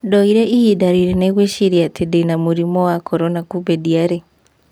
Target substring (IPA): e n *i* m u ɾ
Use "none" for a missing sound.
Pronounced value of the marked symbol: a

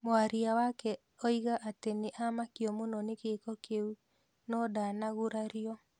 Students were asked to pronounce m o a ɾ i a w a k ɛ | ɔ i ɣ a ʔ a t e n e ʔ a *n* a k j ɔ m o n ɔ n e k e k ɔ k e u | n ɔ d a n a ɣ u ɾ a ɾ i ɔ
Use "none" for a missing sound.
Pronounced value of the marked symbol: m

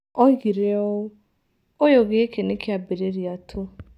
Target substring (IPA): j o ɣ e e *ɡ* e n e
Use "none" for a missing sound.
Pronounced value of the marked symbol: k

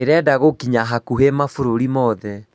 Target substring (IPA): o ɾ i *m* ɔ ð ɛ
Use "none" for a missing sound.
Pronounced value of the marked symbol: m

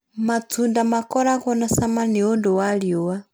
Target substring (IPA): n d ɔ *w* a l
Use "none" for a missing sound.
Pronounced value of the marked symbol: w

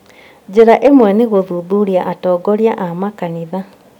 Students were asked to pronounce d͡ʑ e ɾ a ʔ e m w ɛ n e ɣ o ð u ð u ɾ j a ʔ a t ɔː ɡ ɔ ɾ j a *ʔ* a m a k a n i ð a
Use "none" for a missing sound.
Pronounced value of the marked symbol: ʔ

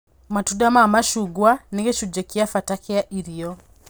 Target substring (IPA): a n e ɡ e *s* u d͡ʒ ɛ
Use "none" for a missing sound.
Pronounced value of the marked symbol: ʃ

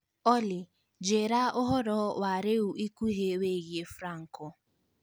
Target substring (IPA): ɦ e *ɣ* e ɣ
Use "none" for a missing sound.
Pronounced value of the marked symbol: w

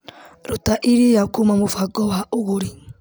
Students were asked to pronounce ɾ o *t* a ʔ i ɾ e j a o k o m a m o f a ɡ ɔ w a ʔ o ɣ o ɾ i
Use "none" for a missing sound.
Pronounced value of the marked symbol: t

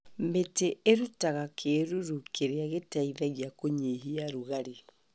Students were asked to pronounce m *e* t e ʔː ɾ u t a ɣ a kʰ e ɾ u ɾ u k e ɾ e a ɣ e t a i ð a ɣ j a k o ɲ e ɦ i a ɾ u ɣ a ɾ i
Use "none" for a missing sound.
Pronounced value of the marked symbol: e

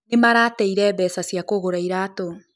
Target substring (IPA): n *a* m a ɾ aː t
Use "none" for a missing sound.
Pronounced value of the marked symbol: e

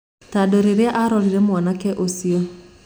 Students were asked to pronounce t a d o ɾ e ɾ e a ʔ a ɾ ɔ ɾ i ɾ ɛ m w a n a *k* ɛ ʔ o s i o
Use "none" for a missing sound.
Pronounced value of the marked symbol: k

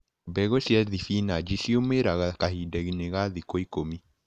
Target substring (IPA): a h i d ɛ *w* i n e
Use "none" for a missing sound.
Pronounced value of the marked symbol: ɣ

